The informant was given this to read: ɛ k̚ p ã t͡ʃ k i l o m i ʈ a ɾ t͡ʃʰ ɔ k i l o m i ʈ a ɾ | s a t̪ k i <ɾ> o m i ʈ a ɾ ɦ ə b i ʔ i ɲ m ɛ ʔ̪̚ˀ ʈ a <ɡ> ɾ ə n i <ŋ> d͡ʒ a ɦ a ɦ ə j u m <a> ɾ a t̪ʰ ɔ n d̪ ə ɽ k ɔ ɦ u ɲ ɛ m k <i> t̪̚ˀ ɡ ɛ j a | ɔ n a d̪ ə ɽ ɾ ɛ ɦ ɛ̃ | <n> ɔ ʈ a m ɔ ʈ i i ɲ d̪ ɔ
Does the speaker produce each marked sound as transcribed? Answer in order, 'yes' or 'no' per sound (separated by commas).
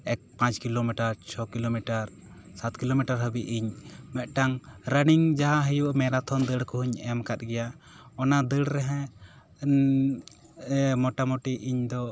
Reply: no, no, yes, no, no, no